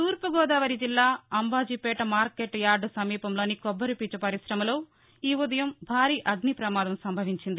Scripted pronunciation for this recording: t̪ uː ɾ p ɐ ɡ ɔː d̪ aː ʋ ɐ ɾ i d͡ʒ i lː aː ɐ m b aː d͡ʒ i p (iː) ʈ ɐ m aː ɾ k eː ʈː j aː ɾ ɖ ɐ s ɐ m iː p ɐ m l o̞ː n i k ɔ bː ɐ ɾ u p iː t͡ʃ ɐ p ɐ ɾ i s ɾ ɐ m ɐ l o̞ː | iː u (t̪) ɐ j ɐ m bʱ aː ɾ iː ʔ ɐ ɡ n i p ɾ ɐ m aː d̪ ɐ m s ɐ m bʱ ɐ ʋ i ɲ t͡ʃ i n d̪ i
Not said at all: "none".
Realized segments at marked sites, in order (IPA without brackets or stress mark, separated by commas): ɛː, d̪